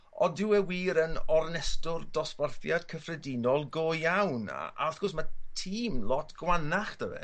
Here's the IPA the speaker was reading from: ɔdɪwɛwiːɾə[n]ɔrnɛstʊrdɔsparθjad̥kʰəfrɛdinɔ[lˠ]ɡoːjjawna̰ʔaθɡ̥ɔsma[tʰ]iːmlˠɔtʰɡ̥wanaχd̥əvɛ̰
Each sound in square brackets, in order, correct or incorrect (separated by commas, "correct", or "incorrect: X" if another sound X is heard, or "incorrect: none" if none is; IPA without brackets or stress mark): correct, correct, correct